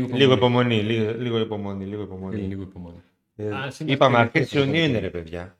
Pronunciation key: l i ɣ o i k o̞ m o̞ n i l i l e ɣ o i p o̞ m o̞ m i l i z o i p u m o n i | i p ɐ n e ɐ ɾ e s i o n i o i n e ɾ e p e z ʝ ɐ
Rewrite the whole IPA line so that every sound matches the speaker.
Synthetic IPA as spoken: l i ɣ o i p o̞ m o̞ n i l i l i ɣ o i p o̞ m o̞ n i l i ɣ o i p o m o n i | i p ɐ m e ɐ ɾ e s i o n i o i n e ɾ e p e ð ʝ ɐ